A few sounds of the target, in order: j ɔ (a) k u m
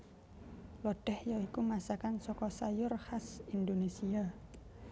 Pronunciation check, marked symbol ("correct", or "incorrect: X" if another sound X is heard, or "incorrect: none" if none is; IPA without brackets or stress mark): incorrect: i